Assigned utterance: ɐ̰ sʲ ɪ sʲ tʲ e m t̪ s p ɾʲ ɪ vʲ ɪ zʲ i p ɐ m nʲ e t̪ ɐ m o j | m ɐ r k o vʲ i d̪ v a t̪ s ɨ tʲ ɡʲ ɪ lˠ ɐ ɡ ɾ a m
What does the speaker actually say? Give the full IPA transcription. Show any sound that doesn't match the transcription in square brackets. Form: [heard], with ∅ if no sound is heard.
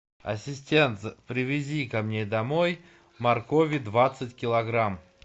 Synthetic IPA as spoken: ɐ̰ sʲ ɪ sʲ tʲ e [n] t̪ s p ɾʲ ɪ vʲ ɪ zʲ i [k] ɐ m nʲ e [d̪] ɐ m o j | m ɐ r k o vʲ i d̪ v a t̪ s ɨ tʲ [kʲ] ɪ lˠ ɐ ɡ ɾ a m